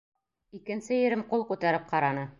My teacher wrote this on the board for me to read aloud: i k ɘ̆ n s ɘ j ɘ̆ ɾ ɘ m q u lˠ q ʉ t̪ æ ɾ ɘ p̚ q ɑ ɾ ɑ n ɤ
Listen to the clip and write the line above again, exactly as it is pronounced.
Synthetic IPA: i k ɘ̆ n s ɘ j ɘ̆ ɾ ɘ m q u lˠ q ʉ t̪ æ ɾ ɘ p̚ q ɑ ɾ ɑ n ɤ